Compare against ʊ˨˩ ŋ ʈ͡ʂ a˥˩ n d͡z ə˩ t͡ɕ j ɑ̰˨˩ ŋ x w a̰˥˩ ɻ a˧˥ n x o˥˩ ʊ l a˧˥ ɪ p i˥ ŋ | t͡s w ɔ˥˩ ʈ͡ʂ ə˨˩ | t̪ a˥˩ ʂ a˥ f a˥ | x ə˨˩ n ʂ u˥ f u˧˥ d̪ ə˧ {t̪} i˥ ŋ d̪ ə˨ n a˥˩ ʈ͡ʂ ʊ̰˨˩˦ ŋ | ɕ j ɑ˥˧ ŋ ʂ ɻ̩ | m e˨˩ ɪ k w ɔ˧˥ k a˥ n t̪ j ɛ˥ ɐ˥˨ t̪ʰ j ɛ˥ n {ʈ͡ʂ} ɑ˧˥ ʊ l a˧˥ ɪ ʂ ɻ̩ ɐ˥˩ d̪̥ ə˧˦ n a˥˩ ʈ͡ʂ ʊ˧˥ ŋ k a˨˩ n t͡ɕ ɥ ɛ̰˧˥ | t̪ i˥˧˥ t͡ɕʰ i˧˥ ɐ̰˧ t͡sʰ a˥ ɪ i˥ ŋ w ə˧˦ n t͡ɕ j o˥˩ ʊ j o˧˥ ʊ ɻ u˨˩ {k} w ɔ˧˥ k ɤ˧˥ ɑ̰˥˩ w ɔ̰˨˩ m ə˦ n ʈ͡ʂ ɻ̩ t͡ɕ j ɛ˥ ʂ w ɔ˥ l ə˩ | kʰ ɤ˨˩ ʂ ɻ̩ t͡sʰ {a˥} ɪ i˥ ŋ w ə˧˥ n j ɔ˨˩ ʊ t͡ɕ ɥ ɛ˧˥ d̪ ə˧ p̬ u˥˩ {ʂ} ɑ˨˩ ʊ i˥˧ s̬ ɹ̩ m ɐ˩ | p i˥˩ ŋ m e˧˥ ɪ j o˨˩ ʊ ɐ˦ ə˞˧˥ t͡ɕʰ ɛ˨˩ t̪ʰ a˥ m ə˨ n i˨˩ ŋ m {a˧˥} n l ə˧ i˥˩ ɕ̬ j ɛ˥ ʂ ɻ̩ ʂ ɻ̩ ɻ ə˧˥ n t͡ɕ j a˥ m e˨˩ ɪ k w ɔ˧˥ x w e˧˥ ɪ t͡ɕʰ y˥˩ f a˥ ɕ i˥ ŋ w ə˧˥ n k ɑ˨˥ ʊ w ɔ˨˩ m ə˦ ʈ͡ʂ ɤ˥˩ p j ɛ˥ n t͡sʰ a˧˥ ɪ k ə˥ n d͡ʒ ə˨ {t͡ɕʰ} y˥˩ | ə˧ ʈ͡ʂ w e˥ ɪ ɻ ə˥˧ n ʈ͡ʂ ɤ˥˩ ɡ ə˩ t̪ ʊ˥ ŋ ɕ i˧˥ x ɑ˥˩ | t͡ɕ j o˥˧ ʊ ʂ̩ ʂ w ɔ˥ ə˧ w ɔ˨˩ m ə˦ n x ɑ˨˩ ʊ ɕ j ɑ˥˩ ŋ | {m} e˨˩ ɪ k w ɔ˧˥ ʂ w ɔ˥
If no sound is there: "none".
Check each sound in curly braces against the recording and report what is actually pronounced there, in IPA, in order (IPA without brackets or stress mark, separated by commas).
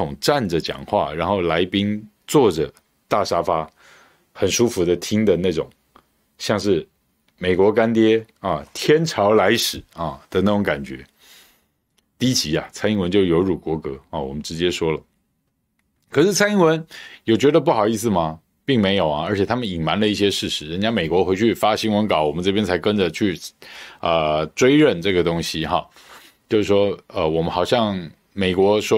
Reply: t̪ʰ, ʈ͡ʂʰ, k, a˥, x, a˧˥, t͡ɕʰ, m